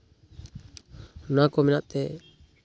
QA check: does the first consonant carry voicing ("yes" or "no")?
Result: yes